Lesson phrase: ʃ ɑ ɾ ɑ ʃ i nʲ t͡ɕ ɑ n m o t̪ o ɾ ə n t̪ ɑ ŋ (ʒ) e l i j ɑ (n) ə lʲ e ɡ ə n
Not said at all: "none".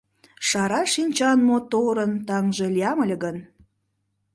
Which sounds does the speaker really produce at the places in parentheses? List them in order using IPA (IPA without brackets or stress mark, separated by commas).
ʒ, m